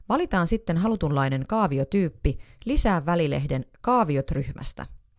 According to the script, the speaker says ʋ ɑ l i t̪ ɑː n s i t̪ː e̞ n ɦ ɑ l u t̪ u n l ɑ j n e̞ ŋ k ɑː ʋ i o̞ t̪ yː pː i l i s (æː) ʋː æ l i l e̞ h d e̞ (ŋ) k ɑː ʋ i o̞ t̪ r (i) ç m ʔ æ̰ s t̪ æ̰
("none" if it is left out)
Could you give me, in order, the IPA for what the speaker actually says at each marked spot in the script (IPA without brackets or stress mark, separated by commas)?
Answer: æː, n, y